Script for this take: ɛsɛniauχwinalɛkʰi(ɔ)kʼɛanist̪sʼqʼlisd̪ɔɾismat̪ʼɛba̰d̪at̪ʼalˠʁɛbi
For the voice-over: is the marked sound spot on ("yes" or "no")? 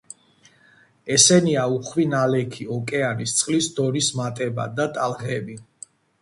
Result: yes